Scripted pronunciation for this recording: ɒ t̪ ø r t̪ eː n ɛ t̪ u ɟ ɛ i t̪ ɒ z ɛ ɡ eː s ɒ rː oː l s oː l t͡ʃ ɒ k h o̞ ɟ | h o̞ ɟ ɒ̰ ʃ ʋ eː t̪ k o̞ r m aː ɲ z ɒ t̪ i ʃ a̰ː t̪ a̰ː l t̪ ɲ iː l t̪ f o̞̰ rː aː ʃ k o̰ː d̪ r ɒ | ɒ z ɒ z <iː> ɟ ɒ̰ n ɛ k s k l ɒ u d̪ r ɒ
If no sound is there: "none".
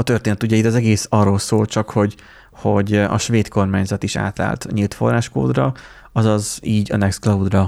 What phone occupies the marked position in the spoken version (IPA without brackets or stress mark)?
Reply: iː